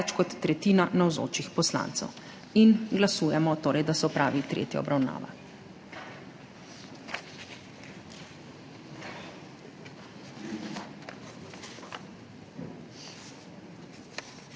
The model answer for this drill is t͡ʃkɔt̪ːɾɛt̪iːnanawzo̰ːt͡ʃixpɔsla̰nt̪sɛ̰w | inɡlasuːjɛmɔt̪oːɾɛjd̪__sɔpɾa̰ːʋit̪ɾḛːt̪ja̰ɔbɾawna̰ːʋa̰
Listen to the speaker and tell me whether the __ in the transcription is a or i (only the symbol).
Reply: a